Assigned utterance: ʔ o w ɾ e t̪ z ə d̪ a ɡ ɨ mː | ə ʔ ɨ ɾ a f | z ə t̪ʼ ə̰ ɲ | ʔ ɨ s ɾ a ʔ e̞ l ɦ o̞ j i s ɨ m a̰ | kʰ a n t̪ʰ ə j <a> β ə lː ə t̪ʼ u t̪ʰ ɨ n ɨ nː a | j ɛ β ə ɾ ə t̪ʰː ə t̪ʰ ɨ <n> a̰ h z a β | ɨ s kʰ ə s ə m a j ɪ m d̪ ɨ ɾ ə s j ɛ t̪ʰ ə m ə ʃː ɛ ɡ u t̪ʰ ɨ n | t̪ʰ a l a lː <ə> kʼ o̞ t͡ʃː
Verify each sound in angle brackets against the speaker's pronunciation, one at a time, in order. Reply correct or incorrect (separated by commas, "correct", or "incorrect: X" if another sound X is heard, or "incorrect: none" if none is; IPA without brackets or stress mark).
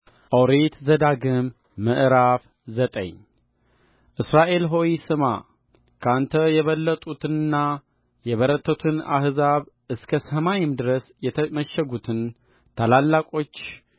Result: incorrect: ɛ, correct, incorrect: a